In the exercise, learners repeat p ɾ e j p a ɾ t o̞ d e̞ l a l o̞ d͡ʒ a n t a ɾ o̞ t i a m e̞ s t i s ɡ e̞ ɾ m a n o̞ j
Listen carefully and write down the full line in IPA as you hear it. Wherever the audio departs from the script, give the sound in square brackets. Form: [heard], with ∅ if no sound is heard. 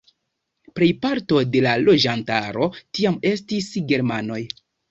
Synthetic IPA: p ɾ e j p a ɾ t o̞ d e̞ l a l o̞ d͡ʒ a n t a ɾ o̞ t i a m e̞ s t i s ɡ e̞ ɾ m a n o̞ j